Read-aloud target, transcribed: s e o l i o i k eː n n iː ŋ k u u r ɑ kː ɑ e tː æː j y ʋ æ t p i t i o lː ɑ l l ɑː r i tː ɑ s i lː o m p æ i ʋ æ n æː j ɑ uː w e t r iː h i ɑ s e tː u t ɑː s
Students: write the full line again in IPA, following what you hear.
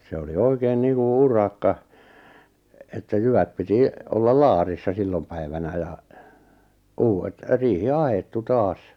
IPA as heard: s e o l i o i k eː n n iː ŋ k u u r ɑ kː ɑ e tː æ j y ʋ æ t p i t i o lː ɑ l l ɑː r i sː ɑ s i lː o m p æ i ʋ æ n æ j ɑ uː w e t r iː h i ɑ h e tː u t ɑː s